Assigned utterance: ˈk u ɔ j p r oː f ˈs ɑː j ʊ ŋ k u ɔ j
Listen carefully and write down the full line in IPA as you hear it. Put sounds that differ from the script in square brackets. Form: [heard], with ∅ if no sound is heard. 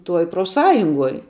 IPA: [ˈt] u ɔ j p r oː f ˈs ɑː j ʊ ŋ [ɡ] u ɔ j